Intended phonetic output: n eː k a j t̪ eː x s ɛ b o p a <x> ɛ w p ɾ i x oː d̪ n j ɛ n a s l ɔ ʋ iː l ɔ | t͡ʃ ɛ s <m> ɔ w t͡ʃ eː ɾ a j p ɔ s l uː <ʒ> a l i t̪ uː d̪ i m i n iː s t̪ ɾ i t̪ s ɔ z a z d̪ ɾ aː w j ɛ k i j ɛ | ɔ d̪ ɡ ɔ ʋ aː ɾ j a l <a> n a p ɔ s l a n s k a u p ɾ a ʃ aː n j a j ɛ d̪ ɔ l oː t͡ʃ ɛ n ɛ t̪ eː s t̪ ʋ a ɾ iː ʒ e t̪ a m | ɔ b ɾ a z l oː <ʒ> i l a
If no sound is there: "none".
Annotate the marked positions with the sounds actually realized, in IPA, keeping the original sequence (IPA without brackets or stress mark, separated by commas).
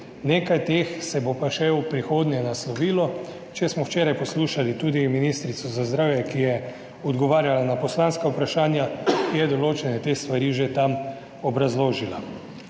ʃ, m, ʃ, a, ʒ